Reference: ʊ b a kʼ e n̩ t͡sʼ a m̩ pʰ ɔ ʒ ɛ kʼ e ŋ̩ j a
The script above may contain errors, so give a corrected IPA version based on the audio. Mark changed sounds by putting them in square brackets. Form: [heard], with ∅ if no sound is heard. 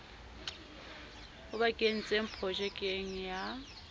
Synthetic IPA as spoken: ʊ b a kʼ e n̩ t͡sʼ [e] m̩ pʰ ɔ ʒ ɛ kʼ e ŋ̩ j a